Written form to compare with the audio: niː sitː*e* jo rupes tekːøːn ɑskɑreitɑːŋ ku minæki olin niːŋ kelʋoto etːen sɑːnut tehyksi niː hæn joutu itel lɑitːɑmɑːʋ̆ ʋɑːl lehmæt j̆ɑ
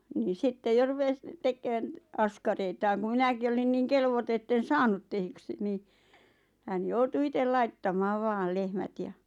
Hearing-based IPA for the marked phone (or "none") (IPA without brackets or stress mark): e